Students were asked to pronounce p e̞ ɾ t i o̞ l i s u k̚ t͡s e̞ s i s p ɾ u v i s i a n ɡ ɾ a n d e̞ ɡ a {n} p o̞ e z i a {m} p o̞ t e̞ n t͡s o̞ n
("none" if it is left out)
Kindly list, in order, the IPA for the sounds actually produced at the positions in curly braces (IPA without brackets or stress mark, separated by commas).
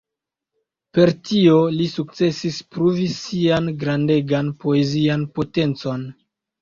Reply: n, n